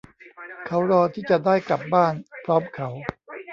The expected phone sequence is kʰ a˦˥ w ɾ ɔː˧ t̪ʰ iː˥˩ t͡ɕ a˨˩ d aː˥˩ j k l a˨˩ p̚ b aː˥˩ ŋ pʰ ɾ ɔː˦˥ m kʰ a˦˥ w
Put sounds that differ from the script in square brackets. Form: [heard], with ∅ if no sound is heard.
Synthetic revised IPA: kʰ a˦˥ w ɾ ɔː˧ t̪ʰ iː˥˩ t͡ɕ a˨˩ d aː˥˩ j k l a˨˩ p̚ b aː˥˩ [n] pʰ ɾ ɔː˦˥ m kʰ a˦˥ w